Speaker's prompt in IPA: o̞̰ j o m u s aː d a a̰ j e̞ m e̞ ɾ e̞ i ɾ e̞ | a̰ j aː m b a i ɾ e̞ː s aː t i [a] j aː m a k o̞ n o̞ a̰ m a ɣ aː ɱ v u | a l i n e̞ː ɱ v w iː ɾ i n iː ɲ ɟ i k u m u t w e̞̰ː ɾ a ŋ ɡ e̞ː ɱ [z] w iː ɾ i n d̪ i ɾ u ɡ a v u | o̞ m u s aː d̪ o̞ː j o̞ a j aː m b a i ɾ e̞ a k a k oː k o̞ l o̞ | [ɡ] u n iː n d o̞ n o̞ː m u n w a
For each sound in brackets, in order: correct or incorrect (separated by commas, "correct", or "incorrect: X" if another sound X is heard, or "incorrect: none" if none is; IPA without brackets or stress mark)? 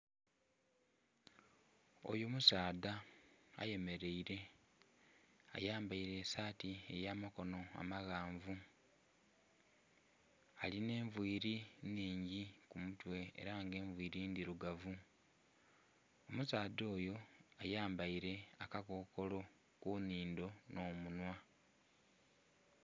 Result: incorrect: e, incorrect: v, incorrect: k